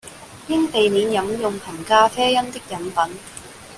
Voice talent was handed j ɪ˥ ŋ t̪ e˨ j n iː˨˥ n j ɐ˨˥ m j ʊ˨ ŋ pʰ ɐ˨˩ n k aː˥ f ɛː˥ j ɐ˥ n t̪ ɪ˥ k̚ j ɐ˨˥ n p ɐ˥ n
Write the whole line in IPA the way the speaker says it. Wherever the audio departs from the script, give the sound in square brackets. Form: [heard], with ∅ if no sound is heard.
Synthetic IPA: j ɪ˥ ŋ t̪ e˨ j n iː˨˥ n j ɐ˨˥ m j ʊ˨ ŋ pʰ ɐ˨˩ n k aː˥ f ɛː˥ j ɐ˥ n t̪ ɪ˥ k̚ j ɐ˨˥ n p [ɐ˨˥] n